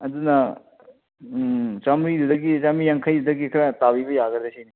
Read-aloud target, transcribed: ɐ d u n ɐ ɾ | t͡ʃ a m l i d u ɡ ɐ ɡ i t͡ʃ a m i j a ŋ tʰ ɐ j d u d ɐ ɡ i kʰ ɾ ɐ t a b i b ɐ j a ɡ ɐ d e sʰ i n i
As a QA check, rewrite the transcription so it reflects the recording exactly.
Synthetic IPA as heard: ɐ d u n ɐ | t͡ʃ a m ɾ i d u d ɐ ɡ i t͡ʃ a m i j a ŋ kʰ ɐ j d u d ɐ ɡ i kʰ ɾ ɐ t a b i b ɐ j a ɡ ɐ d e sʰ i n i